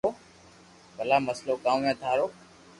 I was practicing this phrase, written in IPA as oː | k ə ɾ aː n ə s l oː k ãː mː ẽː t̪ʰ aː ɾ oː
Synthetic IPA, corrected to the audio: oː | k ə l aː m ə s l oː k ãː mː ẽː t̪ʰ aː ɾ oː